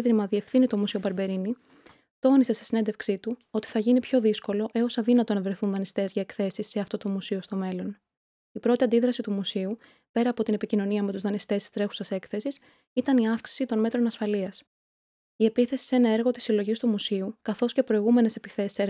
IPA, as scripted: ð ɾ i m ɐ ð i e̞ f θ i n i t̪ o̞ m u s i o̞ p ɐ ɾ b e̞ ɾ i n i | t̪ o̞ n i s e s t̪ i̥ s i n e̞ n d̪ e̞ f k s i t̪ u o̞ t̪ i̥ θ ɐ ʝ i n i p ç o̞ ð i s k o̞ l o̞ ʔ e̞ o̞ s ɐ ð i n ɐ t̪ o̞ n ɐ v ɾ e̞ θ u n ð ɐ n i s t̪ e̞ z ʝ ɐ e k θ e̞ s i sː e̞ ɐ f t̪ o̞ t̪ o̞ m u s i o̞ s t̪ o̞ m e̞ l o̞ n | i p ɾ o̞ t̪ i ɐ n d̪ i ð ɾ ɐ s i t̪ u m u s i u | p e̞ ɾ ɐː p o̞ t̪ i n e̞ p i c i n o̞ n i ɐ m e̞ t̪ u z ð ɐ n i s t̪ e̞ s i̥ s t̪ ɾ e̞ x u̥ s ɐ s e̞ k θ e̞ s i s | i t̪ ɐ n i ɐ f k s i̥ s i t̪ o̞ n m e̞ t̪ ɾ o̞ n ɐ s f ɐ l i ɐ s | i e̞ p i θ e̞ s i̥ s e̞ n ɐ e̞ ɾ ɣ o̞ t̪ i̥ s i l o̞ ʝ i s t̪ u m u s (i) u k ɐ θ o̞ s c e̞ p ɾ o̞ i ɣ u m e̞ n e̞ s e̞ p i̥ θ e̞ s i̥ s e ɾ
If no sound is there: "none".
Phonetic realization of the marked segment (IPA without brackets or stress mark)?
i